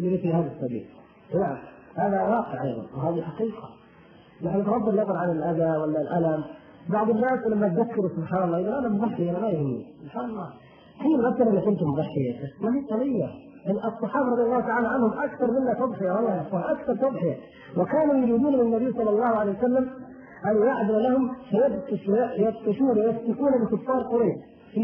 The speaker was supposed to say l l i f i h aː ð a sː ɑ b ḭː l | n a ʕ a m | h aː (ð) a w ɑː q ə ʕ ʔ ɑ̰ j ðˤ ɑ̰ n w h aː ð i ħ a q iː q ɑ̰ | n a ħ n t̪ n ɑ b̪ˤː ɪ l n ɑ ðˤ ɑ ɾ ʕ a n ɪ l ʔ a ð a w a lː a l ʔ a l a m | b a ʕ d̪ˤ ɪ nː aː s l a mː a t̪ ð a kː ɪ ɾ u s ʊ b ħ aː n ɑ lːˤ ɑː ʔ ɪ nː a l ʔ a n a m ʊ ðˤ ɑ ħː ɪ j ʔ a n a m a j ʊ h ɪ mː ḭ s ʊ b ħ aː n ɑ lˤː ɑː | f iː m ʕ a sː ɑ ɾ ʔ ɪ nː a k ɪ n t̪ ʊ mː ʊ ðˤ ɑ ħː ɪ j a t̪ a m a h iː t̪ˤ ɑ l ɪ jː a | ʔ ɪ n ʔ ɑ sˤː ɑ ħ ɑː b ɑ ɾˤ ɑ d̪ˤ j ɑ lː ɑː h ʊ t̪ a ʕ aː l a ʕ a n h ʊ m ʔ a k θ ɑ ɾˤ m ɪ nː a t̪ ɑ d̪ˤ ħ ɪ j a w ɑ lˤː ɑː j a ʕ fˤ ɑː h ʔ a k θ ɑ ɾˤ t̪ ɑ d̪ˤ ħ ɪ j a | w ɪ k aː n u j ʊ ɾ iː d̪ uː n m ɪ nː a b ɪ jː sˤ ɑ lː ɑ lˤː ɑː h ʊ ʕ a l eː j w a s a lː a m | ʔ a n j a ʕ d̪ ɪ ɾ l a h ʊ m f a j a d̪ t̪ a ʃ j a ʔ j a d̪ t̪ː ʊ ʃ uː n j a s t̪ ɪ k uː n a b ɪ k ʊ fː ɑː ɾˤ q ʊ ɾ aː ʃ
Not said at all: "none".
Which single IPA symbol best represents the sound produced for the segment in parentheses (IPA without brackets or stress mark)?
ð